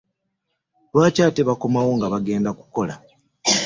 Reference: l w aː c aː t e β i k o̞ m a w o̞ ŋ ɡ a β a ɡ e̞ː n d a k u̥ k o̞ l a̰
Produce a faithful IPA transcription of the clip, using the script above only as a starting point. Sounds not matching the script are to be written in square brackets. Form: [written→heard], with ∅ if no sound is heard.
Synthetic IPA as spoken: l w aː c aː t e β [i→a] k o̞ m a w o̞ ŋ ɡ a β a ɡ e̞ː n d a k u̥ k o̞ l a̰

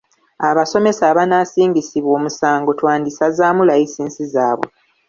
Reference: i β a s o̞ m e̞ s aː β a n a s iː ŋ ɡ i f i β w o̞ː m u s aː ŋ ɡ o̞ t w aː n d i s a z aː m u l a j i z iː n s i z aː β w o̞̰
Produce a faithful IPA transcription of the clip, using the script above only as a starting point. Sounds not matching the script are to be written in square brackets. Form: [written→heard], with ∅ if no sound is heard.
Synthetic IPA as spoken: [i→a] β a s o̞ m e̞ s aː β a n a s iː ŋ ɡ i [f→s] i β w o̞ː m u s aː ŋ ɡ o̞ t w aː n d i s a z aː m u l a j i [z→s] iː n s i z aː β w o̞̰

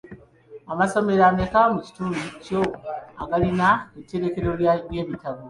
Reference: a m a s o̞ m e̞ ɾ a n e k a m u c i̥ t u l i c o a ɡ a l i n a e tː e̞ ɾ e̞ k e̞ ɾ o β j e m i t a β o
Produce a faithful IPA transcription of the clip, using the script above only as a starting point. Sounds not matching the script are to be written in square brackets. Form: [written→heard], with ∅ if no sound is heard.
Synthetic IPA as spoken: a m a s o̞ m e̞ ɾ a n e k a m u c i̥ t u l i c o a ɡ a l i n a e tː e̞ ɾ e̞ k e̞ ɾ o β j e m i t a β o

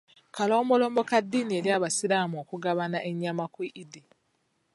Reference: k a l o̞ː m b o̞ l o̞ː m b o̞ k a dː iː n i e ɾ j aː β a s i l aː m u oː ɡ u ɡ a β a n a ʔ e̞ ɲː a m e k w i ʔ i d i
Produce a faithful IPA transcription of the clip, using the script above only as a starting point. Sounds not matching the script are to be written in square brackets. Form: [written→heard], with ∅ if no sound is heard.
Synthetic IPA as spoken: k a l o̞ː m b o̞ l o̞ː m b o̞ k a dː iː n i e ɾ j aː β a s i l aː m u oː [ɡ→k] u ɡ a β a n a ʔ e̞ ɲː a m [e→a] k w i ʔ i d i

